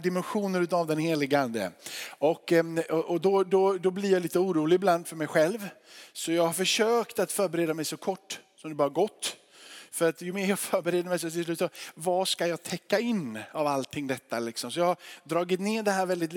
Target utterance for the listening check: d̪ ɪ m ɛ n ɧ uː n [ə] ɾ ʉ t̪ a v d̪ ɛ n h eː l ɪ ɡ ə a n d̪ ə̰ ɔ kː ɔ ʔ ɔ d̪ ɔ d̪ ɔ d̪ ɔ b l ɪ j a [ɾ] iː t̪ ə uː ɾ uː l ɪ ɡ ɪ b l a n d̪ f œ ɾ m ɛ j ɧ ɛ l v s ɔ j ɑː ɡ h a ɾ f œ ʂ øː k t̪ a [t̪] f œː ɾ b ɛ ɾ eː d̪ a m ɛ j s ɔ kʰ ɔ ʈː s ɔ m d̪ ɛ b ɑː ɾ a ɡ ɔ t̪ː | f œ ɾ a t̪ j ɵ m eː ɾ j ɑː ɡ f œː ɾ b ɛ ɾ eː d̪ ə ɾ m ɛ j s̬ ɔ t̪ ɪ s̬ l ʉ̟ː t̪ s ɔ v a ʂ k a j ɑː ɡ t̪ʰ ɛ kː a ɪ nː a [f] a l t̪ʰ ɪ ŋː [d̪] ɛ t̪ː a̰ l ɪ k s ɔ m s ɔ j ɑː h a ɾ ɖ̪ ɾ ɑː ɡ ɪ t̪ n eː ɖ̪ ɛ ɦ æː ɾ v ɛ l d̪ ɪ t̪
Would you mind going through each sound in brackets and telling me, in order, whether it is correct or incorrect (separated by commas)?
correct, incorrect, correct, incorrect, correct